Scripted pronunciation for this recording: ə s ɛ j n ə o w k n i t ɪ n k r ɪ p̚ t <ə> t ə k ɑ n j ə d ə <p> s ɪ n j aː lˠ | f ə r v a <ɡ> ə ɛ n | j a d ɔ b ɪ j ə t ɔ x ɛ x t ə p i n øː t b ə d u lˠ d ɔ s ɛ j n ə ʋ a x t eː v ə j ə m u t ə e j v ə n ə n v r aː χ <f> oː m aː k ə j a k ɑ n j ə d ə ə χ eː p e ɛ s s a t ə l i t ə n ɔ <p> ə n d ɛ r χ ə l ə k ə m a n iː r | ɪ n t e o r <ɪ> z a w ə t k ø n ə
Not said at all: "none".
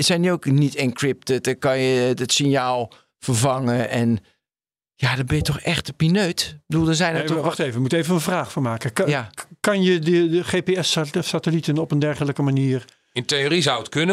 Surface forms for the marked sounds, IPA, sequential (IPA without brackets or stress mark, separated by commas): ə, t, ŋ, f, p, i